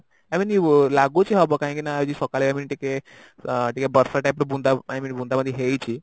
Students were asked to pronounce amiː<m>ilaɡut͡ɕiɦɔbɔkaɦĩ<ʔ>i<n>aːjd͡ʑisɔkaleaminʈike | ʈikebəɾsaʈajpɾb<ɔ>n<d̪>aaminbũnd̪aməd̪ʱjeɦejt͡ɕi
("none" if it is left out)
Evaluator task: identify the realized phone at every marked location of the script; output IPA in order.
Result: n, k, n, u, d̪

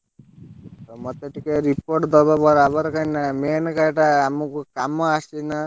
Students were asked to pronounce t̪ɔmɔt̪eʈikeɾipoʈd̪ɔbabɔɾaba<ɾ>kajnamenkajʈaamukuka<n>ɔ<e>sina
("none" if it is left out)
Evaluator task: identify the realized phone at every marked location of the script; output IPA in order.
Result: ɾ, m, a

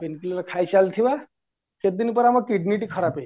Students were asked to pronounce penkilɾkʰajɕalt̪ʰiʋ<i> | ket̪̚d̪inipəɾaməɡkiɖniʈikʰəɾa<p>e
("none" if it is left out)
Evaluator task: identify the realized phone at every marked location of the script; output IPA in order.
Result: a, p

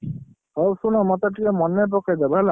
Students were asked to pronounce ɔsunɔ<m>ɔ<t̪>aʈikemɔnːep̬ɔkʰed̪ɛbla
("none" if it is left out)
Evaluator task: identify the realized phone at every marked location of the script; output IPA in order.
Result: m, t̪

